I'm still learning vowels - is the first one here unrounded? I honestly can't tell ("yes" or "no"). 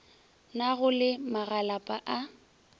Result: yes